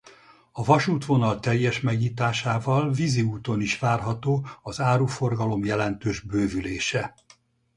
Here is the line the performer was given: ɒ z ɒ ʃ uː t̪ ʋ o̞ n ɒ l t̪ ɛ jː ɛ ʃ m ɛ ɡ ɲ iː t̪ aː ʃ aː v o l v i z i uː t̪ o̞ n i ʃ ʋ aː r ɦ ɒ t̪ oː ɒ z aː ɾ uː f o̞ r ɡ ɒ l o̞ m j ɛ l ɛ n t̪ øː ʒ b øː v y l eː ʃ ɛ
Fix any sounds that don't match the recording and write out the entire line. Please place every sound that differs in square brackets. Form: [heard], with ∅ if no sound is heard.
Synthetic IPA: ɒ [v] ɒ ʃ uː t̪ ʋ o̞ n ɒ l t̪ ɛ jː ɛ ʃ m ɛ ɡ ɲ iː t̪ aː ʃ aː v [ɒ] l v i z i uː t̪ o̞ n i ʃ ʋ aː r ɦ ɒ t̪ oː ɒ z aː ɾ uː f o̞ r ɡ ɒ l o̞ m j ɛ l ɛ n t̪ øː ʒ b øː v y l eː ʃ ɛ